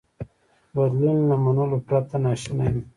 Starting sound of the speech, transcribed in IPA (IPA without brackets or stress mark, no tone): b